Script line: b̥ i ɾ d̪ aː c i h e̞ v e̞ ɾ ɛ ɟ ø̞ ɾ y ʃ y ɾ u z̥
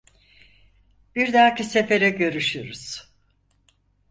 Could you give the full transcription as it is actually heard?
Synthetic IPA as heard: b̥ i ɾ d̪ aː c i s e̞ f e̞ ɾ ɛ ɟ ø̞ ɾ y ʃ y ɾ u z̥